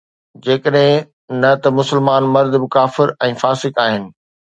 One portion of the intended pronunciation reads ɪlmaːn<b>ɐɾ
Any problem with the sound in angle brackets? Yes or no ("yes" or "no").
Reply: yes